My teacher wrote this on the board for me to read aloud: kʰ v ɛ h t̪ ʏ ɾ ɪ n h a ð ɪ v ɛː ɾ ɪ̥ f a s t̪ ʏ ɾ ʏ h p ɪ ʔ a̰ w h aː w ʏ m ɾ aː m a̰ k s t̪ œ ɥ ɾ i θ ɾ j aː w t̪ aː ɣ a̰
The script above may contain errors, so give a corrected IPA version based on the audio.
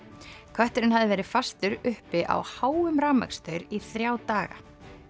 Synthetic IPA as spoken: kʰ v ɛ h t̪ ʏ ɾ ɪ n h a ð ɪ v ɛː ɾ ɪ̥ f a s t̪ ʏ ɾ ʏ h p ɪ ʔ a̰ w h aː w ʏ m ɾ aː m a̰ k s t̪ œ ɥ ɾ i θ ɾ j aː w t̪ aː ɣ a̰